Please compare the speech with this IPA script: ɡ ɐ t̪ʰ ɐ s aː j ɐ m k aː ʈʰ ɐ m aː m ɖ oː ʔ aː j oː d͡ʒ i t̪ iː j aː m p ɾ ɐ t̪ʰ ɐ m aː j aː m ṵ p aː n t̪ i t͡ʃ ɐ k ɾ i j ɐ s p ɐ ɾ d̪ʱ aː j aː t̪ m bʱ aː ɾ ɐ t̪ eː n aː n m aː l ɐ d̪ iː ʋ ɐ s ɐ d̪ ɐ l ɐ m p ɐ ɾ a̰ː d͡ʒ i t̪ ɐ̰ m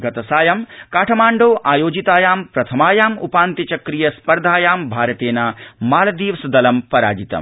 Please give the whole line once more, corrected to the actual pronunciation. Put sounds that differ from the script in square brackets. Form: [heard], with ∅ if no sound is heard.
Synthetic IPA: ɡ ɐ [t̪] ɐ s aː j ɐ m k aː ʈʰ ɐ m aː [ɳ] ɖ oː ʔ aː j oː d͡ʒ i t̪ [aː] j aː m p ɾ ɐ t̪ʰ ɐ m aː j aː m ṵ p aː n t̪ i t͡ʃ ɐ k ɾ i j ɐ s p ɐ ɾ d̪ʱ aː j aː [∅] m bʱ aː ɾ ɐ t̪ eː n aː [∅] m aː l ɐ d̪ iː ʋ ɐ s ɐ d̪ ɐ l ɐ m p ɐ ɾ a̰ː d͡ʒ i t̪ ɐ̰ m

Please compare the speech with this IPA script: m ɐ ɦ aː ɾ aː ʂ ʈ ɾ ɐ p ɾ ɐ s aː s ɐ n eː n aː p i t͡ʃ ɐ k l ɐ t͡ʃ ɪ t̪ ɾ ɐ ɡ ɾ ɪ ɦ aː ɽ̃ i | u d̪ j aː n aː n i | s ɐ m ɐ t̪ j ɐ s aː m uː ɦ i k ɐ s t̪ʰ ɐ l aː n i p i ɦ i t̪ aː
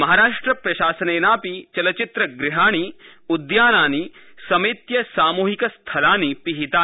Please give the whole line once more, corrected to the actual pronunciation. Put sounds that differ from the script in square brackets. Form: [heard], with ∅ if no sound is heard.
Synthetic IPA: m ɐ ɦ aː ɾ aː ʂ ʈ ɾ ɐ p ɾ ɐ [ʃ] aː s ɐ n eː n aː p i t͡ʃ ɐ [∅] l ɐ t͡ʃ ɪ t̪ ɾ ɐ ɡ ɾ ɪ ɦ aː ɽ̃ i | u d̪ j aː n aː n i | s ɐ m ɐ t̪ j ɐ s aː m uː ɦ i k ɐ s t̪ʰ ɐ l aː n i p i ɦ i t̪ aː

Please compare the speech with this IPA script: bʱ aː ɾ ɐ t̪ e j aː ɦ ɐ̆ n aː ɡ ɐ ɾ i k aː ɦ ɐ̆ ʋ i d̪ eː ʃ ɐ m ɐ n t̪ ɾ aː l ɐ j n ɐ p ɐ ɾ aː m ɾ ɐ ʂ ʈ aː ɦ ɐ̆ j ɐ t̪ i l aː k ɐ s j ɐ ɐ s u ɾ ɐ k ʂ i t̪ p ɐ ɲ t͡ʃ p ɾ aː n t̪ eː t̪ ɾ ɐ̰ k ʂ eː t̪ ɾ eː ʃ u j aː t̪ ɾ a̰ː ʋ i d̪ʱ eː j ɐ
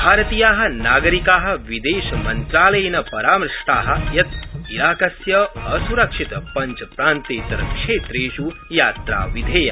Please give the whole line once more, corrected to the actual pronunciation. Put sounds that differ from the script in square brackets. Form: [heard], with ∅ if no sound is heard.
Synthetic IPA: bʱ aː ɾ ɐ t̪ [i] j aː ɦ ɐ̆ n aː ɡ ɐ ɾ i k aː ɦ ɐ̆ ʋ i d̪ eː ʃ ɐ m ɐ n t̪ ɾ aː l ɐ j n ɐ p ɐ ɾ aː m ɾ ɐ ʂ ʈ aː ɦ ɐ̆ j ɐ t̪ i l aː k ɐ s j ɐ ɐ s u ɾ ɐ k ʂ i t̪ p ɐ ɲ t͡ʃ p ɾ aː n t̪ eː t̪ ɾ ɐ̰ k ʂ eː t̪ ɾ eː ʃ u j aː t̪ ɾ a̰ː ʋ i d̪ʱ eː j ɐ

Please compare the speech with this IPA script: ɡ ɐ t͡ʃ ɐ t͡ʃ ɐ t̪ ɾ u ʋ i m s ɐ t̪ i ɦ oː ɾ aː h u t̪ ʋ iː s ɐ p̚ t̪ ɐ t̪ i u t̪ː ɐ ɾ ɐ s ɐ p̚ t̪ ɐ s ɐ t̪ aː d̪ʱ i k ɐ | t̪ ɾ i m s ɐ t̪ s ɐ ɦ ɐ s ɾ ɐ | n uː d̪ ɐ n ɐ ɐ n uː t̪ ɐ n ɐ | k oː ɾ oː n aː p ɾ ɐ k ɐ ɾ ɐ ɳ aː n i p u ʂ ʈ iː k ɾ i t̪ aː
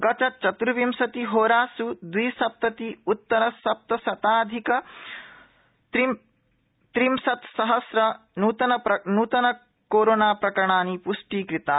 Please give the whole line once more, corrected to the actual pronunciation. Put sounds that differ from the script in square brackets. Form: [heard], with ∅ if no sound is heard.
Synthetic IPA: ɡ ɐ t͡ʃ ɐ t͡ʃ ɐ t̪ ɾ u ʋ i m s ɐ t̪ i ɦ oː ɾ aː [s] u [d̪] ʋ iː s ɐ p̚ t̪ ɐ t̪ i u t̪ː ɐ ɾ ɐ s ɐ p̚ t̪ ɐ s ɐ t̪ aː d̪ʱ i k ɐ | t̪ ɾ i m s ɐ t̪ s ɐ ɦ ɐ s ɾ ɐ | n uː [t̪] ɐ n ɐ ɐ n uː t̪ ɐ n ɐ | k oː ɾ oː n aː p ɾ ɐ k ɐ ɾ ɐ ɳ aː n i p u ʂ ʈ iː k ɾ i t̪ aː

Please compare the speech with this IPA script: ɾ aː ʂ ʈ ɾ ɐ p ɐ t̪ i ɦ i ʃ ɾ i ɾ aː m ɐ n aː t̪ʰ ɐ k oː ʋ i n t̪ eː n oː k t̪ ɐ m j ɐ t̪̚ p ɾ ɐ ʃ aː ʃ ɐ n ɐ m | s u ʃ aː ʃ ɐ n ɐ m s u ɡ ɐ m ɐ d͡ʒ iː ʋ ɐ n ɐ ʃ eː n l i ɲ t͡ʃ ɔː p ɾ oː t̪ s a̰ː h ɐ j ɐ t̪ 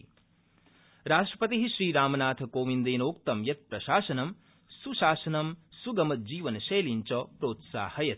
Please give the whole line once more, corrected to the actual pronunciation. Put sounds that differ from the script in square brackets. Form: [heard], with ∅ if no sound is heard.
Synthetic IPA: ɾ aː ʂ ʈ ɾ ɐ p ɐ t̪ i ɦ i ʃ ɾ [iː] ɾ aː m ɐ n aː t̪ʰ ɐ k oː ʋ i n [d̪] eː n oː k t̪ ɐ m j ɐ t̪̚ p ɾ ɐ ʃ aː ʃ ɐ n ɐ m | s u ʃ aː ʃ ɐ n ɐ m s u ɡ ɐ m ɐ d͡ʒ iː ʋ ɐ n ɐ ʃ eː [∅] l i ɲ t͡ʃ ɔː p ɾ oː t̪ s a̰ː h ɐ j ɐ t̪

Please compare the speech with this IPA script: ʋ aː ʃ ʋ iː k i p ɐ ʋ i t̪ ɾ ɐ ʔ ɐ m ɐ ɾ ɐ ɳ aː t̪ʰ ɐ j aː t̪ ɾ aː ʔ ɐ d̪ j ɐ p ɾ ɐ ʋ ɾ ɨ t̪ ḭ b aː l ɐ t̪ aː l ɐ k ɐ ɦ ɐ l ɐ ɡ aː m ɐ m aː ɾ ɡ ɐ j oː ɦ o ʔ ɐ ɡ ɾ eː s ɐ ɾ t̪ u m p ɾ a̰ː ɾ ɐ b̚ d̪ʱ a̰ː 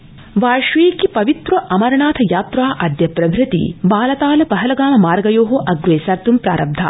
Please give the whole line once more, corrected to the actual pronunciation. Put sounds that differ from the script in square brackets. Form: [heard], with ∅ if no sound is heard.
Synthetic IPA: ʋ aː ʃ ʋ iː k i p ɐ ʋ i t̪ ɾ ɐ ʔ ɐ m ɐ ɾ ɐ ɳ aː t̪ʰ ɐ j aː t̪ ɾ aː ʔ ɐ d̪ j ɐ p ɾ ɐ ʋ ɾ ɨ t̪ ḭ b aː l ɐ t̪ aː l ɐ [p] ɐ ɦ ɐ l ɐ ɡ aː m ɐ m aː ɾ ɡ ɐ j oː ɦ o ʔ ɐ ɡ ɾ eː s ɐ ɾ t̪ u m p ɾ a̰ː ɾ ɐ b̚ d̪ʱ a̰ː

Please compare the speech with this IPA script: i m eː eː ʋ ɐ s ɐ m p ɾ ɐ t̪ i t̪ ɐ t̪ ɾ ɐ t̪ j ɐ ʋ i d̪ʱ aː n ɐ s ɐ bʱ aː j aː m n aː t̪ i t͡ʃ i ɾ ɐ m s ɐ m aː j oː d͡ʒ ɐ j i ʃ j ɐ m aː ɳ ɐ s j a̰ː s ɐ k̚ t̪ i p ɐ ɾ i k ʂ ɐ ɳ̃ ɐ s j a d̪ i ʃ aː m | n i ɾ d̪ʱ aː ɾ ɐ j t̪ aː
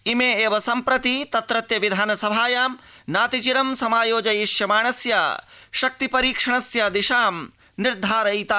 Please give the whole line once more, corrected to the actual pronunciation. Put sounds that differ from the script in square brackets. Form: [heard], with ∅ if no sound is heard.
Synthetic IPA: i m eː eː ʋ ɐ s ɐ m p ɾ ɐ t̪ i t̪ ɐ t̪ ɾ ɐ t̪ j ɐ ʋ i d̪ʱ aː n ɐ s ɐ bʱ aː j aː m n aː t̪ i t͡ʃ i ɾ ɐ m s ɐ m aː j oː d͡ʒ ɐ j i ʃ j ɐ m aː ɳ ɐ s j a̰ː [ʃ] ɐ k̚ t̪ i p ɐ ɾ [iː] k ʂ ɐ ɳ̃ ɐ s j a d̪ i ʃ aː m | n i ɾ d̪ʱ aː ɾ ɐ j t̪ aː

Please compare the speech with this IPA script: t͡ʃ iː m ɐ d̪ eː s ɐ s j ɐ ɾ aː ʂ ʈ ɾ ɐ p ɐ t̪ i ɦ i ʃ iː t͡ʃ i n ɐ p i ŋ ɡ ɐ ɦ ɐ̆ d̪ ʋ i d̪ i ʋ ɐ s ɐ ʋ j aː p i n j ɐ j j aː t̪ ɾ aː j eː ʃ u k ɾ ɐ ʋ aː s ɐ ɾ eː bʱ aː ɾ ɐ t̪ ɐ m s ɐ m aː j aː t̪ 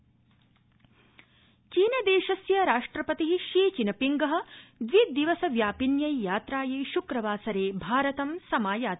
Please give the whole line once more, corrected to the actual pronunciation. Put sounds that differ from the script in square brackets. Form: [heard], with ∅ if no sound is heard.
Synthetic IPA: t͡ʃ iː [n] ɐ d̪ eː [ʃ] ɐ s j ɐ ɾ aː ʂ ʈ ɾ ɐ p ɐ t̪ i ɦ i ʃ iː t͡ʃ i n ɐ p i ŋ ɡ ɐ ɦ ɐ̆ d̪ ʋ i d̪ i ʋ ɐ s ɐ ʋ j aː p i n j ɐ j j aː t̪ ɾ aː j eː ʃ u k ɾ ɐ ʋ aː s ɐ ɾ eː bʱ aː ɾ ɐ t̪ ɐ m s ɐ m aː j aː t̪

